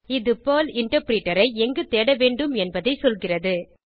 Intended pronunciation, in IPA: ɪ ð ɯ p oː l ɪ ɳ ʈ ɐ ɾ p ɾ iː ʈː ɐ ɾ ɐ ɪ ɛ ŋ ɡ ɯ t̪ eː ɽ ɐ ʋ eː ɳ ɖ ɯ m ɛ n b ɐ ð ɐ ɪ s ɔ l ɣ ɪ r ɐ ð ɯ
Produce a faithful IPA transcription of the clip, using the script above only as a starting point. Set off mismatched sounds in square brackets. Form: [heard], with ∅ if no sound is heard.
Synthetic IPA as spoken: ɪ ð ɯ p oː l ɪ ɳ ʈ ɐ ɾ p ɾ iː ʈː ɐ ɾ ɐ ɪ ɛ ŋ ɡ ɯ t̪ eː ɽ ɐ ʋ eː ɳ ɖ ɯ m ɛ n b ɐ ð ɐ ɪ s ɔ l ɣ ɪ r ɐ ð ɯ